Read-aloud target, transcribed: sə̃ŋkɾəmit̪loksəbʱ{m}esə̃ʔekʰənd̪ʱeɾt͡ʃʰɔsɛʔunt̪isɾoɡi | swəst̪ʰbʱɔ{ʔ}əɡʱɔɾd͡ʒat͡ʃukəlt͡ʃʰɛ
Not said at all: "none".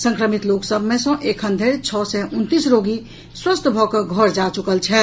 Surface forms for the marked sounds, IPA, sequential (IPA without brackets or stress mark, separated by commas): m, k